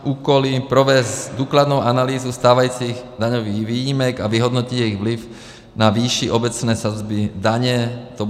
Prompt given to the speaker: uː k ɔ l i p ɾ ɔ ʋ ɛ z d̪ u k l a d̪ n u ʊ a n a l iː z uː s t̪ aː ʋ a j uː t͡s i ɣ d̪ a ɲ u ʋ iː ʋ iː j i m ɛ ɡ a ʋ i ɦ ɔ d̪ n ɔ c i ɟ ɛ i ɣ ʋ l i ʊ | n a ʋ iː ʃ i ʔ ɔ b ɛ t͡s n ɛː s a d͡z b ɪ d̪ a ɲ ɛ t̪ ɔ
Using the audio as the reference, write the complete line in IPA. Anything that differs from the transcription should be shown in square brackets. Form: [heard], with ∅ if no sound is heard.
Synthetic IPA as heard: uː k ɔ l i p ɾ ɔ ʋ ɛ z d̪ u k l a d̪ n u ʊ a n a l iː z [u] s t̪ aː ʋ a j uː t͡s i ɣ d̪ a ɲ [ɔ] ʋ iː ʋ iː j i m ɛ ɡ a ʋ i ɦ ɔ d̪ n ɔ c i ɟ ɛ i ɣ ʋ l i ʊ | n a ʋ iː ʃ i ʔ ɔ b ɛ t͡s n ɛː s a d͡z b [i] d̪ a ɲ ɛ t̪ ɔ